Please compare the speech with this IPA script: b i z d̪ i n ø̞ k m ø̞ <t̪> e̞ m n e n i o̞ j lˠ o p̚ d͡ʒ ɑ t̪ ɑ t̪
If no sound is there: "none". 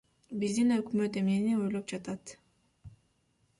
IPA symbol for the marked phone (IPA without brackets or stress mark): t̪